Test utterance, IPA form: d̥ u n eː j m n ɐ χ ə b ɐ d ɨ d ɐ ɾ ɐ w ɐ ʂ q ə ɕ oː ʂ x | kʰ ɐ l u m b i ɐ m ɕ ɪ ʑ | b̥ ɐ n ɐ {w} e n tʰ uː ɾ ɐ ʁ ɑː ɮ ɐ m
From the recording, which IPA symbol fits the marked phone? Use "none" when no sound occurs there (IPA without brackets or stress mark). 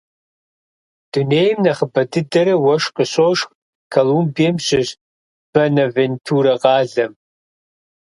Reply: v